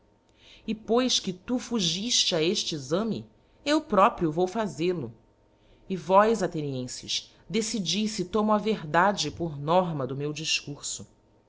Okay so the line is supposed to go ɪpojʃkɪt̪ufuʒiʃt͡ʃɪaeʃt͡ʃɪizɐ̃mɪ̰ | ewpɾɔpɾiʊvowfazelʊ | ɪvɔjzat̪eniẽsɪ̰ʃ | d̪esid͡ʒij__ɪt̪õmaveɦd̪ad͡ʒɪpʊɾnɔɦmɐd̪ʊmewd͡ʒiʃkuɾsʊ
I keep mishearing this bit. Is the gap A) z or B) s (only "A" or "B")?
B